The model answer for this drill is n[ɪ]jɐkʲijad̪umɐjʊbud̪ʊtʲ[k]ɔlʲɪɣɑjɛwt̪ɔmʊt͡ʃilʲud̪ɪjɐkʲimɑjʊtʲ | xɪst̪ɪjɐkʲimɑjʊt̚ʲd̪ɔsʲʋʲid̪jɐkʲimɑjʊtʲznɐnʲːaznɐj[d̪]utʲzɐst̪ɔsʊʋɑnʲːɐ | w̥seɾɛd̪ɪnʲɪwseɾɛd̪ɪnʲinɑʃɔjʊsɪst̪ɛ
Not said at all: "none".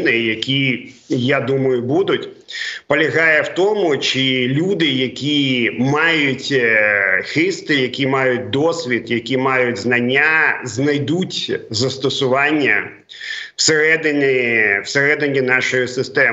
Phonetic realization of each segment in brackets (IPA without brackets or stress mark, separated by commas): ɪ, p, d̪